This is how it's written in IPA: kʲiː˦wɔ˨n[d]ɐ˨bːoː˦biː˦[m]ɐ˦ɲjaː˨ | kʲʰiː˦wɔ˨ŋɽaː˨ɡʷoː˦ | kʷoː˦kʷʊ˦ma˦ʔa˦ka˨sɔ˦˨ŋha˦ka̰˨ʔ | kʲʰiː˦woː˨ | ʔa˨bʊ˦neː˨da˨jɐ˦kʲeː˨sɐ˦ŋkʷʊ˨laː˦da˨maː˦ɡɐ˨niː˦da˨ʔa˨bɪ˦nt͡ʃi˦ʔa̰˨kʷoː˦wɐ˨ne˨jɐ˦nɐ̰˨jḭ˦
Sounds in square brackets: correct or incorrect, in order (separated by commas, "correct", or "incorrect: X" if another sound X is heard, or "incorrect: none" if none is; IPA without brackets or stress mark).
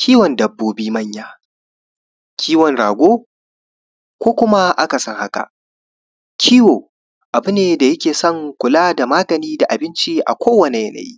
correct, correct